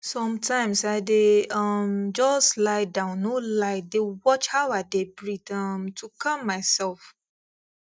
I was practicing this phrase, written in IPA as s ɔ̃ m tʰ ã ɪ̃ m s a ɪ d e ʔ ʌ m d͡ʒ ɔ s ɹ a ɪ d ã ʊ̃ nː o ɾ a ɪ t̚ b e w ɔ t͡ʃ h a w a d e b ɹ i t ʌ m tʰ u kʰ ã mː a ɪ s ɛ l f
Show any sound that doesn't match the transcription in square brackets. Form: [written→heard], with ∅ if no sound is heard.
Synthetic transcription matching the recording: s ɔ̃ m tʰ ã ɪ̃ m s a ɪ d e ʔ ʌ m d͡ʒ ɔ s [ɹ→l] a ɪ d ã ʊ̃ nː o [ɾ→l] a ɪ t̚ [b→d] e w ɔ t͡ʃ h a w a d e b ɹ i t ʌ m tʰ u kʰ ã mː a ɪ s ɛ l f